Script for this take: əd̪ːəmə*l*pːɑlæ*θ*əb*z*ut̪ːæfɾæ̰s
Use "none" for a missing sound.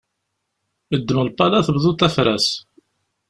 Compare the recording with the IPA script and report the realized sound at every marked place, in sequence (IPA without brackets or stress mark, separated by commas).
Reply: l, θ, ð